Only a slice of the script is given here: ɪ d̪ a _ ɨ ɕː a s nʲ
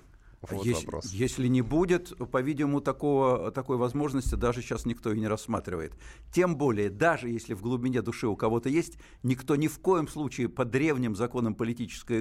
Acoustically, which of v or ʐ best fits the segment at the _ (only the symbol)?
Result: ʐ